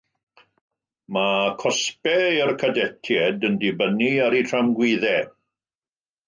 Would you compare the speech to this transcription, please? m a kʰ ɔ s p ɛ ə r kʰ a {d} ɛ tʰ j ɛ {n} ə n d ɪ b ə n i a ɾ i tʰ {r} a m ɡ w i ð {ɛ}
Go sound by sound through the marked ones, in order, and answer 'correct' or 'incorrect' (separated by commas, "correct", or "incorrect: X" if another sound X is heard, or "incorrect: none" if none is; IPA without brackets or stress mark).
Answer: correct, incorrect: d, correct, correct